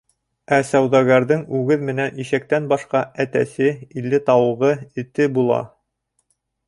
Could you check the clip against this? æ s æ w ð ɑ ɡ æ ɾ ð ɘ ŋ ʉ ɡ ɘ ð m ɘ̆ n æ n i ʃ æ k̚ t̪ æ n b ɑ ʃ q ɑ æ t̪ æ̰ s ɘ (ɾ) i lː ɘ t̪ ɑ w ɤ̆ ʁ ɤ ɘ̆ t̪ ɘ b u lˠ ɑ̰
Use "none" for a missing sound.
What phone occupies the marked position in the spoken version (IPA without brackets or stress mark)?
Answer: none